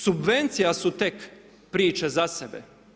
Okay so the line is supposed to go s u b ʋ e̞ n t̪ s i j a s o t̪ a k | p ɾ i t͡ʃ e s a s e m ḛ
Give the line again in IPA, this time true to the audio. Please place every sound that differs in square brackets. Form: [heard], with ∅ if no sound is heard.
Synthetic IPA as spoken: s u b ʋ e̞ n t̪ s i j a s [u] t̪ [e] k | p ɾ [iː] t͡ʃ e [z] a s e [b] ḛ